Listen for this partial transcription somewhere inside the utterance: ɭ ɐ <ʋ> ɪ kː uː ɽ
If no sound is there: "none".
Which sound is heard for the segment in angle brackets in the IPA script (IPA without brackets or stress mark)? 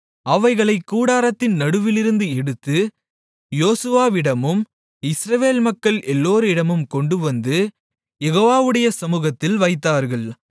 none